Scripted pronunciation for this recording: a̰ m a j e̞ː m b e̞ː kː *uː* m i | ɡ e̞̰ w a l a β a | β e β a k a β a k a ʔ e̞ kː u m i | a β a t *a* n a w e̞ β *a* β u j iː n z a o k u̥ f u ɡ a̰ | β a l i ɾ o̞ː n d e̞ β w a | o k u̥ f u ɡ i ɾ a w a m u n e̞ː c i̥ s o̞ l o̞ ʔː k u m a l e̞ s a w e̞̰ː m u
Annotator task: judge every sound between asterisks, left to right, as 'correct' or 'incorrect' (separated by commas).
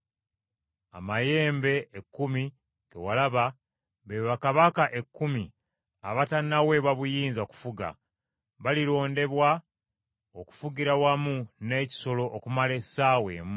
incorrect, correct, correct